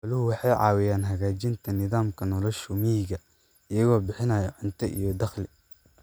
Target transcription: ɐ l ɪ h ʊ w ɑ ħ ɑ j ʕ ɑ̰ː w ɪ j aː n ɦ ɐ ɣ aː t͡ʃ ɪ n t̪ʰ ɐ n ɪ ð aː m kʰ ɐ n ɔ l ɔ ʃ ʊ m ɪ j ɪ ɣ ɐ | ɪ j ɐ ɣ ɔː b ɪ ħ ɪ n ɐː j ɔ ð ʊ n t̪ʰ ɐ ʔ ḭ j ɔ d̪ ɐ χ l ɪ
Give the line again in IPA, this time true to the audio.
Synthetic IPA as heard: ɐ l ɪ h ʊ w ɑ ħ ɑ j ʕ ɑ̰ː w ɪ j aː n ɦ ɐ ɣ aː t͡ʃ ɪ n t̪ʰ ɐ n ɪ ð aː m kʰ ɐ n ɔ l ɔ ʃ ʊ m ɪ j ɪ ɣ ɐ | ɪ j ɐ ɣ ɔː b ɪ ħ ɪ n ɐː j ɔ ʕ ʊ n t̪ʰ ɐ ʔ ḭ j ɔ d̪ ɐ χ l ɪ